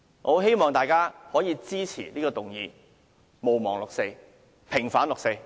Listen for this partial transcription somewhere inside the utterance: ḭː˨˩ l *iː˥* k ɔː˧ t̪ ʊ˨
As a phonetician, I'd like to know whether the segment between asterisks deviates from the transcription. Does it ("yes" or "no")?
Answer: no